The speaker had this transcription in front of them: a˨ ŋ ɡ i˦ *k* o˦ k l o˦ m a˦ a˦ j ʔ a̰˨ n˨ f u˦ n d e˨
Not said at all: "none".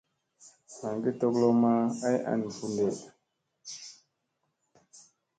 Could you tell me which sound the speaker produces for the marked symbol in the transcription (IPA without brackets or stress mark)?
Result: t